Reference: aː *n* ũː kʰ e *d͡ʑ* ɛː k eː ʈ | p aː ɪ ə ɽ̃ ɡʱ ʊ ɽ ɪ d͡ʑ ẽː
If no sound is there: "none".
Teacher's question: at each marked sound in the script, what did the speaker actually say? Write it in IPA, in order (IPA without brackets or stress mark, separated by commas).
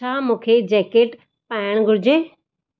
m, d͡ʑ